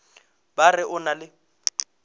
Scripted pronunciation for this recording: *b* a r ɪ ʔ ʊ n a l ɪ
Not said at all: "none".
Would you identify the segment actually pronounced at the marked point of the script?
b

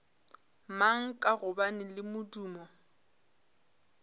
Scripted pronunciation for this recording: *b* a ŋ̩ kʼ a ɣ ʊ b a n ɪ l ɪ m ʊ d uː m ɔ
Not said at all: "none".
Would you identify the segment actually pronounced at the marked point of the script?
m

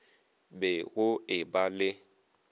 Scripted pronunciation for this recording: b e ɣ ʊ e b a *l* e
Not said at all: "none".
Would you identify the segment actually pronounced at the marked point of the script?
l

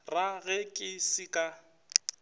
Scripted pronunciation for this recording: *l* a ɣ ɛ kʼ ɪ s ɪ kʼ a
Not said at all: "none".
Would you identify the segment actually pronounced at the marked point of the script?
r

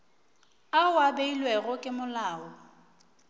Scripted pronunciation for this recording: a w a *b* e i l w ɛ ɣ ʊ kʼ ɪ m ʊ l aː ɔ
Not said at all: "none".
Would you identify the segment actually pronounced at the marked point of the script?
b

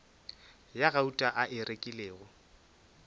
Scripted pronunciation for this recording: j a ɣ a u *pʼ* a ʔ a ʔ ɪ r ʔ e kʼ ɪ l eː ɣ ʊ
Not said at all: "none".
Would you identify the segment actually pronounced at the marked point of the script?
tʼ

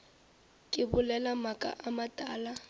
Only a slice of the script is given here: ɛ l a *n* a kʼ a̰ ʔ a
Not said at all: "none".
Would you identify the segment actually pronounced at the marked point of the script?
m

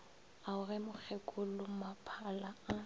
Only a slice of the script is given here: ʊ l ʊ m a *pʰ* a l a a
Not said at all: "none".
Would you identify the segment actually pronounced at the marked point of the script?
pʰ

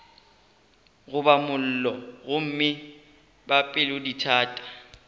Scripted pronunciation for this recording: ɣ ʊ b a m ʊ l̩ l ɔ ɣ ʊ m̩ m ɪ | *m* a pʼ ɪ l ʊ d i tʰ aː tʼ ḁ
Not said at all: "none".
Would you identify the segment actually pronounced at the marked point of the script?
b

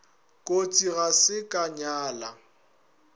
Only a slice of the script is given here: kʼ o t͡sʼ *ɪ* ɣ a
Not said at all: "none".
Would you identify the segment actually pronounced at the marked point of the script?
i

